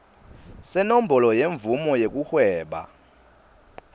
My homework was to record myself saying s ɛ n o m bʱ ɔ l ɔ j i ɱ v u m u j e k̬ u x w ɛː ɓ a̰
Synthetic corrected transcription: s ɛ n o m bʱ ɔ l ɔ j e ɱ v u m ɔ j e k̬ u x w ɛː ɓ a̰